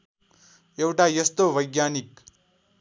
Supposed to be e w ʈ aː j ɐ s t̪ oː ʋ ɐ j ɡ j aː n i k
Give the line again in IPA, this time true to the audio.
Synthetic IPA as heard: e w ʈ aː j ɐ s t̪ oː ʋ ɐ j ɡ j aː n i k